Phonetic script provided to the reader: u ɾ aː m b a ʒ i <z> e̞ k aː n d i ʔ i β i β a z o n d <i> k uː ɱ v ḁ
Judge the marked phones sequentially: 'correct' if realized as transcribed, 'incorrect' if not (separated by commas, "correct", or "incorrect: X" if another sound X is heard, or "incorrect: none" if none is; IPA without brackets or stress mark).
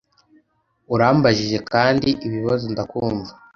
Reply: incorrect: ʒ, incorrect: a